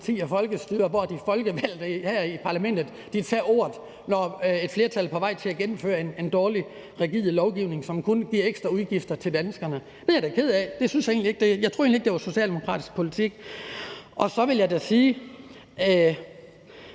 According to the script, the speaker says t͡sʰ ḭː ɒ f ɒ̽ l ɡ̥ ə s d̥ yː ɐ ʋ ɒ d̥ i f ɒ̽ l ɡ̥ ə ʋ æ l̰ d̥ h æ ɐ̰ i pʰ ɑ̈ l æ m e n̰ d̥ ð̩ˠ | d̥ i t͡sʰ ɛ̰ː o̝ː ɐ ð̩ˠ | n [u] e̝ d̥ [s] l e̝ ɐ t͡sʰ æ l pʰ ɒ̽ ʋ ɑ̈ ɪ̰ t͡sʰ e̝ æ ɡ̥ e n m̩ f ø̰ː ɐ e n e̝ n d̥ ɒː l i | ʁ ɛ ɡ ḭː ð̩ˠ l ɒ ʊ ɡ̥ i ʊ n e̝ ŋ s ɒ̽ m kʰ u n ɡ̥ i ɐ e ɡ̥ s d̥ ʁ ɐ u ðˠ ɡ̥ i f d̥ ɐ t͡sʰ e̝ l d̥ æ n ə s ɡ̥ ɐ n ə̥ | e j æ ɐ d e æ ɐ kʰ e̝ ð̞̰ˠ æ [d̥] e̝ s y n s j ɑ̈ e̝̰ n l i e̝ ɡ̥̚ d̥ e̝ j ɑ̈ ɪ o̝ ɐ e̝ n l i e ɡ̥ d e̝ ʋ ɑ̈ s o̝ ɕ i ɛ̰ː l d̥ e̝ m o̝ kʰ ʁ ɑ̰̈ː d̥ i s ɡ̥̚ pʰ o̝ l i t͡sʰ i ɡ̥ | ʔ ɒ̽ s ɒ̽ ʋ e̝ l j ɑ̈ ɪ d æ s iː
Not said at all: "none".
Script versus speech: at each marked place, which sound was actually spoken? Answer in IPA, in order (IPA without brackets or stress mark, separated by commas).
ɒ, f, d̥